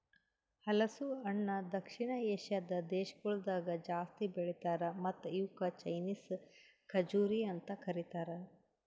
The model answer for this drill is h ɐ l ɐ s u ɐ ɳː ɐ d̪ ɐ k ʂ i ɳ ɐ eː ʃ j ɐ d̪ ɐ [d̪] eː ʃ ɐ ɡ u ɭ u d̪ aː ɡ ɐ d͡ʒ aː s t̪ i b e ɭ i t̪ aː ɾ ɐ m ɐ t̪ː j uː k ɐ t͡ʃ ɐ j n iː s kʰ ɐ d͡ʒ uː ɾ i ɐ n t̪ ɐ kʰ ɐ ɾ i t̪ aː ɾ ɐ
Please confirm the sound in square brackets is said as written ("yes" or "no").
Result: yes